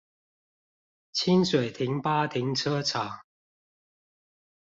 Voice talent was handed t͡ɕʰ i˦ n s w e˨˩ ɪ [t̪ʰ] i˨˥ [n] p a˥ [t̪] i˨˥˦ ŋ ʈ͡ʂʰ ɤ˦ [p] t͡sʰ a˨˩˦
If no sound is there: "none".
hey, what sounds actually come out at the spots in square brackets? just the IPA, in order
t̪ʰ, ŋ, t̪ʰ, none

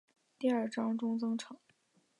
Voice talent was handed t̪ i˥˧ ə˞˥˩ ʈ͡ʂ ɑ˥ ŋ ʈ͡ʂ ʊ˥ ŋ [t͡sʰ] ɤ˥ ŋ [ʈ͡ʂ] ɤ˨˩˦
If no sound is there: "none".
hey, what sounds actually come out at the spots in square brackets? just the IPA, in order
t͡s, ʈ͡ʂʰ

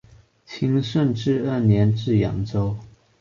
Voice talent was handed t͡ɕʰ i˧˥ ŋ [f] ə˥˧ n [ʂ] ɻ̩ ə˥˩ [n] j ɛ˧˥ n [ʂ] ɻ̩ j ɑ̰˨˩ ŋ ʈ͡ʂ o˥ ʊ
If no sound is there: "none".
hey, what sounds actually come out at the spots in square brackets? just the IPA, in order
ʂ, ʈ͡ʂ, n, ʈ͡ʂ

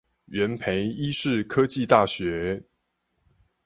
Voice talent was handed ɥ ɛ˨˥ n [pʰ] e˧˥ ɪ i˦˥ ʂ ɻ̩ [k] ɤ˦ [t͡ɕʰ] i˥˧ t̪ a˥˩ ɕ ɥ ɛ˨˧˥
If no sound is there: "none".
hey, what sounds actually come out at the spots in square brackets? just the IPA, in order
pʰ, kʰ, t͡ɕ

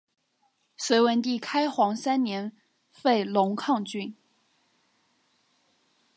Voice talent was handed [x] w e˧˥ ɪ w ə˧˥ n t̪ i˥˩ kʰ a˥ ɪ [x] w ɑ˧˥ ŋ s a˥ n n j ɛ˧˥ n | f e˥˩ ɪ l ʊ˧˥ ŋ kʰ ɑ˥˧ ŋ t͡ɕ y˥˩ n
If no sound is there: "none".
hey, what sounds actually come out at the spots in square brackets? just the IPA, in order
s, x

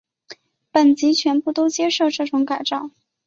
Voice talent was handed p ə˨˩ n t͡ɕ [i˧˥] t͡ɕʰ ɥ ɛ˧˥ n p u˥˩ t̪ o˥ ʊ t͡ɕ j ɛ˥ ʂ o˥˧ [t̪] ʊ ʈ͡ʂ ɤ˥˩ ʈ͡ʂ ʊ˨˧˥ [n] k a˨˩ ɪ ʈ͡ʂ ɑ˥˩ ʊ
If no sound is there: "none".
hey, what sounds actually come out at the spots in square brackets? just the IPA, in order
i˧˥, none, ŋ

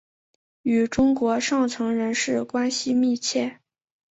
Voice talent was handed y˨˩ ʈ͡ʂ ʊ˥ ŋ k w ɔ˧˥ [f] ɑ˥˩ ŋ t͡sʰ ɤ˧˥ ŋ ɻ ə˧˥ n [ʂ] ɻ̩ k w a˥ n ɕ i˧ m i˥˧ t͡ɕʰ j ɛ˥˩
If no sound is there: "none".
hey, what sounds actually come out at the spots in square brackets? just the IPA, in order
ʂ, ʂ

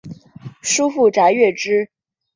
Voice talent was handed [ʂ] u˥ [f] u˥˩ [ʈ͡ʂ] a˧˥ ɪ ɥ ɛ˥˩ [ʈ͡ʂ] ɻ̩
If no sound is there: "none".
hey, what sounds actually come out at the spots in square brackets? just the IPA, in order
ʂ, f, ʈ͡ʂ, ʈ͡ʂ

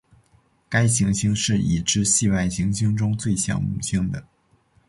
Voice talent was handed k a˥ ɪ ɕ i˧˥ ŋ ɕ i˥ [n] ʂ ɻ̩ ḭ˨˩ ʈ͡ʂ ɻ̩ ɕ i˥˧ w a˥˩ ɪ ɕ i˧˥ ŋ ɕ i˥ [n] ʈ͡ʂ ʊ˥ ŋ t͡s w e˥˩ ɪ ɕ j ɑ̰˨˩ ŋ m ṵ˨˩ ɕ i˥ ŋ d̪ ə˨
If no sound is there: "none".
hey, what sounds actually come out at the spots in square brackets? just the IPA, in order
ŋ, ŋ

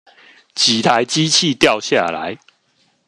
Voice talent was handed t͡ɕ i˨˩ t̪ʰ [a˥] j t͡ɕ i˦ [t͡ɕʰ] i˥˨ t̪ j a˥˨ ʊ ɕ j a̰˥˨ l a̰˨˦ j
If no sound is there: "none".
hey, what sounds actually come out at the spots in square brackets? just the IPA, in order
a˨˦, t͡ɕʰ

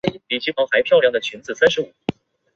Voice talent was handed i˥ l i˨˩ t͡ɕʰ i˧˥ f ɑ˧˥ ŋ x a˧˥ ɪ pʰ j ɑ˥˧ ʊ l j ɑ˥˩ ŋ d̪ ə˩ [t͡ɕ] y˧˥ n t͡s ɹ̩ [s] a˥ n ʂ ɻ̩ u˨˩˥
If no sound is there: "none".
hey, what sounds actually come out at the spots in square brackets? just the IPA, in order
t͡ɕʰ, s

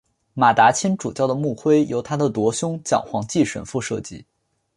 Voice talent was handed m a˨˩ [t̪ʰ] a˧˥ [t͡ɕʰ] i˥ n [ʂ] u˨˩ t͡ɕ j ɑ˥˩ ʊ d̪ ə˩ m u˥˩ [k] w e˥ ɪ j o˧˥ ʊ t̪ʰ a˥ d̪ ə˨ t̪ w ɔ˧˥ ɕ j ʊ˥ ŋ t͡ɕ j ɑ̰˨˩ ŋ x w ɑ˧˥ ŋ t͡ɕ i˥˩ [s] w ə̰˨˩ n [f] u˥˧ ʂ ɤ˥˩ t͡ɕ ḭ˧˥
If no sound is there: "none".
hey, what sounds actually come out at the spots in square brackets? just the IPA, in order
t̪, t͡ɕʰ, ʈ͡ʂ, x, ʂ, f

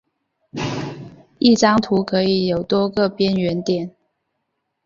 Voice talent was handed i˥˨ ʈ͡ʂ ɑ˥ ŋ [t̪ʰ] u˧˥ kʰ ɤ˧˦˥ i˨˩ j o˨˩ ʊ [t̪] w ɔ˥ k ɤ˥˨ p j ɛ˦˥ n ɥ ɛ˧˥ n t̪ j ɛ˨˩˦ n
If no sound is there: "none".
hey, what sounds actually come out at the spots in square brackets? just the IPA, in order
t̪ʰ, t̪

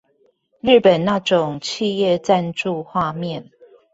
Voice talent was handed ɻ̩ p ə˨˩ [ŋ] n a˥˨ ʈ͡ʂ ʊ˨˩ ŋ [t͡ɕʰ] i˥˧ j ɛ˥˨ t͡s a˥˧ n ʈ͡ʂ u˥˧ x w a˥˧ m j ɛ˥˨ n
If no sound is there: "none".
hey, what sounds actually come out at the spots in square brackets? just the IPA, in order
n, t͡ɕʰ

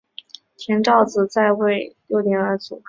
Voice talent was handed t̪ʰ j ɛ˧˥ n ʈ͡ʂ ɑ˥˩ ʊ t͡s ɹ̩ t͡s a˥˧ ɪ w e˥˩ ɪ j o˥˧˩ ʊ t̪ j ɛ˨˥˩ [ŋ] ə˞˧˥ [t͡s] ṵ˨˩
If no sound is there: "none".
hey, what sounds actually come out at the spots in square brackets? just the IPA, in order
n, t͡s

